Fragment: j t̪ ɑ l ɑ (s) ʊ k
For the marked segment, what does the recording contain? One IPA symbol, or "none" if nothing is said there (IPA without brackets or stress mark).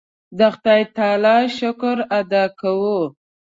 ʃ